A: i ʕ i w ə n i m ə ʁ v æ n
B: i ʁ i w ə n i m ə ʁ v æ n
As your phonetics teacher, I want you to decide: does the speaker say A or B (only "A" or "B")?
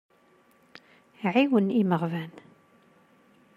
A